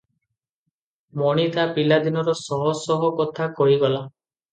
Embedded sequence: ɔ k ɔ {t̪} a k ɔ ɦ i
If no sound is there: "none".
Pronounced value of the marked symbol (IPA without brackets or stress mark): t̪ʰ